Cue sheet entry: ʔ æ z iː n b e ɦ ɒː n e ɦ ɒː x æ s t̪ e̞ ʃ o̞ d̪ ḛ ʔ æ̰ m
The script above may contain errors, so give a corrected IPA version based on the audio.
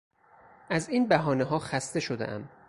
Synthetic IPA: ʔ æ z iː n b æ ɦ ɒː n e ɦ ɒː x æ s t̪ e̞ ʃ o̞ d̪ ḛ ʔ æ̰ m